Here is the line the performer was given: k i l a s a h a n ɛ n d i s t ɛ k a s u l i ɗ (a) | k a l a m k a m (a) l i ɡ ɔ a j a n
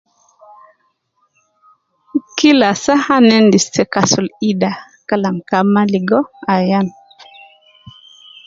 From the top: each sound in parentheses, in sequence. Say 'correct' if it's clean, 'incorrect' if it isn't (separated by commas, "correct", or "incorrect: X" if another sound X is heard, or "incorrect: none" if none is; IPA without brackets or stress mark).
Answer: correct, correct